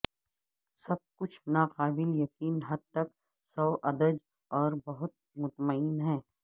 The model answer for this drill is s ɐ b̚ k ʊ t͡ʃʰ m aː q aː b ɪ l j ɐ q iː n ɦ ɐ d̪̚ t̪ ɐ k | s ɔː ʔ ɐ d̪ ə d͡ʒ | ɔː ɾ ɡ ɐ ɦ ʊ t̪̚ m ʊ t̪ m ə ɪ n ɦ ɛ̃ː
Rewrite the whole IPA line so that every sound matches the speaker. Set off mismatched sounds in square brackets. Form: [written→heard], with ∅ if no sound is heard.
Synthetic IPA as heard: s ɐ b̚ k ʊ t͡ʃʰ [m→n] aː q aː b ɪ l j ɐ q iː n ɦ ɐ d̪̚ t̪ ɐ k | s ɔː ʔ ɐ d̪ ə d͡ʒ | ɔː ɾ [ɡ→b] ɐ ɦ ʊ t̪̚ m ʊ t̪ m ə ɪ n ɦ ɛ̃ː